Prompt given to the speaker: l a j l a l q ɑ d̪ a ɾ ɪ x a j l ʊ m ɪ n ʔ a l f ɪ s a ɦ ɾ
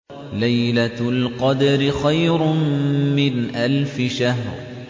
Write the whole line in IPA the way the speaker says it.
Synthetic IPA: l a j l a l q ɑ d̪ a ɾ ɪ x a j ɾ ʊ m ɪ n ʔ a l f ɪ ʃ a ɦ ɾ